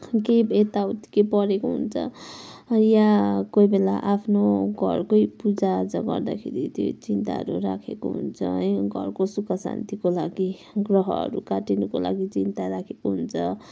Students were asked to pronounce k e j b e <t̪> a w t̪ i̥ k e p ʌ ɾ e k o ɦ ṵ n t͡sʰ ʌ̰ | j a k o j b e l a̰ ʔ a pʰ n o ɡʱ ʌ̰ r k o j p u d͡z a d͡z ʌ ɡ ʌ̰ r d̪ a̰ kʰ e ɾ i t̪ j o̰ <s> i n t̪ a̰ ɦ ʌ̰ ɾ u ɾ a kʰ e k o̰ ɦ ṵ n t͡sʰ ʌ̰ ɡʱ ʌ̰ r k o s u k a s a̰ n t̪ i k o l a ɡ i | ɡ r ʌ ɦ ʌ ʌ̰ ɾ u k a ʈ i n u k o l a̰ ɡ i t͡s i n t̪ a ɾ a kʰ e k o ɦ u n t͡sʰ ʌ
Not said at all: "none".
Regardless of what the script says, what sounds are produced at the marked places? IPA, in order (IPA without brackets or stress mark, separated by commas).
t̪, t͡s